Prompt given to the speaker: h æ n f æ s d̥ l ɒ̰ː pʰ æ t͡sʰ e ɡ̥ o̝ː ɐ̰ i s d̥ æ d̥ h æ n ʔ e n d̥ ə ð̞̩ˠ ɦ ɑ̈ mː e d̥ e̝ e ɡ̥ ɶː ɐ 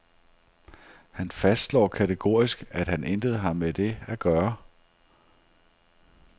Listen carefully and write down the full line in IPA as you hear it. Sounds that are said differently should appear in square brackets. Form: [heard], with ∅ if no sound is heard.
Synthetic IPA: h æ n f æ s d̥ l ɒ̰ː [kʰ] æ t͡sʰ e ɡ̥ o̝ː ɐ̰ i s [ɡ̥] æ d̥ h æ n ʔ e n d̥ ə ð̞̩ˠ ɦ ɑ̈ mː e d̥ e̝ [æ] ɡ̥ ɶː ɐ